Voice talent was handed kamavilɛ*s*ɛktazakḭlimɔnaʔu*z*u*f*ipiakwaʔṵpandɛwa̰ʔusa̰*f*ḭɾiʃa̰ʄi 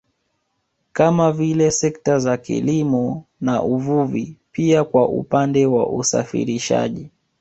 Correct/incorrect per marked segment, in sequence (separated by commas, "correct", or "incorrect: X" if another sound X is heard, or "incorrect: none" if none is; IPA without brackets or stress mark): correct, incorrect: v, incorrect: v, correct